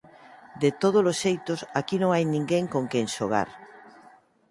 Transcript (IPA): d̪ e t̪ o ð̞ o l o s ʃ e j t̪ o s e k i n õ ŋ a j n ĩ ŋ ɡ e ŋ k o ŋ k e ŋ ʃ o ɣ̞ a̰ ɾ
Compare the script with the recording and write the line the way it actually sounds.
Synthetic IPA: d̪ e t̪ o ð̞ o l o s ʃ e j t̪ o s a k i n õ ŋ a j n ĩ ŋ ɡ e ŋ k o ŋ k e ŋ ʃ o ɣ̞ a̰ ɾ